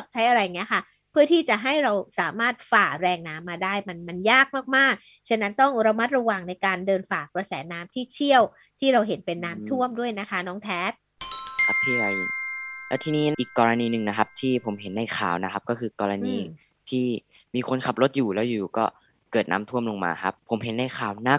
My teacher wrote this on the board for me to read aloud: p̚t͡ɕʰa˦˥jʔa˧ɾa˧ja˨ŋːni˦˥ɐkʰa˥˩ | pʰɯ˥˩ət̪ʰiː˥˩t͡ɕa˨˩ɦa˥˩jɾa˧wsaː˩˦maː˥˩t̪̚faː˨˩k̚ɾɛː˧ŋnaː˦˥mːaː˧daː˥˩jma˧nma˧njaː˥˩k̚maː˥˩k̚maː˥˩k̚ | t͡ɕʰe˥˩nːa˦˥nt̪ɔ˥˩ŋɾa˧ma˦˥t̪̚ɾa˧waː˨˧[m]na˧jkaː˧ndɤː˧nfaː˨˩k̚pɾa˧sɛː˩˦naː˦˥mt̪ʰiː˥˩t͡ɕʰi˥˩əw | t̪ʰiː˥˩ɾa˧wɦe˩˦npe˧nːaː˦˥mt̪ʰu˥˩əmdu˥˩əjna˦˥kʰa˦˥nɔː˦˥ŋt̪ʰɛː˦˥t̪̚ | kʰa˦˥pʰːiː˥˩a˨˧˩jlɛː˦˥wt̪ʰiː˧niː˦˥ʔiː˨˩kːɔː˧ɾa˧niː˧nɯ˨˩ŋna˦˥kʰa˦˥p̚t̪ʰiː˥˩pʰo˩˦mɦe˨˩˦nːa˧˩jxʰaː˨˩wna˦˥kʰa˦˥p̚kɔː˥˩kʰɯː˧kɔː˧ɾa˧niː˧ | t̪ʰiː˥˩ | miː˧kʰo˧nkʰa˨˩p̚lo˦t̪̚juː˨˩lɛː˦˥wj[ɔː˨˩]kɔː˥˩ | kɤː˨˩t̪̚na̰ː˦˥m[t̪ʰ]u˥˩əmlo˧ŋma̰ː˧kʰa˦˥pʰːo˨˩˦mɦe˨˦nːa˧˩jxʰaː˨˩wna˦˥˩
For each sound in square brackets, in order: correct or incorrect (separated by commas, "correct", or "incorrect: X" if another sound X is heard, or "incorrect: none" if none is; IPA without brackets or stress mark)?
incorrect: ŋ, incorrect: uː˨˩, correct